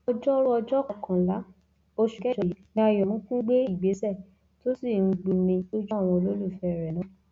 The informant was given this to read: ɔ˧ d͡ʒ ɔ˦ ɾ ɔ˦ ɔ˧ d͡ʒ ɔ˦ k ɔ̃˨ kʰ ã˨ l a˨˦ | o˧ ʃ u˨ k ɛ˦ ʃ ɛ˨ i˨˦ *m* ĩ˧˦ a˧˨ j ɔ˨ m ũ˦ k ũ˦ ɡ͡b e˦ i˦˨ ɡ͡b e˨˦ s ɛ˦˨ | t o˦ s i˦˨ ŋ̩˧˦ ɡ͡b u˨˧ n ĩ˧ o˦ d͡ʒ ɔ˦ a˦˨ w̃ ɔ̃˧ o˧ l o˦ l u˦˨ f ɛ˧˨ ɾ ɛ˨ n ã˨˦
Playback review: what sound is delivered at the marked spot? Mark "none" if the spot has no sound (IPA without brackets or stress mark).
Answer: n